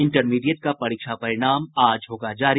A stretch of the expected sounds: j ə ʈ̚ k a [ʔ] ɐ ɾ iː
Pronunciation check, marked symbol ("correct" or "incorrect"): incorrect